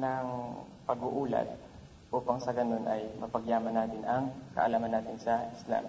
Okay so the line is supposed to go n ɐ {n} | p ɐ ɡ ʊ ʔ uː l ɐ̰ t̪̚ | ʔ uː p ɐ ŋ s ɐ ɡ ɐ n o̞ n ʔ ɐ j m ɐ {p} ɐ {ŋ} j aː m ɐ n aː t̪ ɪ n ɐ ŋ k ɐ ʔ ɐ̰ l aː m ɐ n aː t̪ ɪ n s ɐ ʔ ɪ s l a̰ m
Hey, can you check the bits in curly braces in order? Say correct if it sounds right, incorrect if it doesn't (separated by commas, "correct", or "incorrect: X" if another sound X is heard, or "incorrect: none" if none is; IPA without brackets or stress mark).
incorrect: ŋ, correct, incorrect: ɡ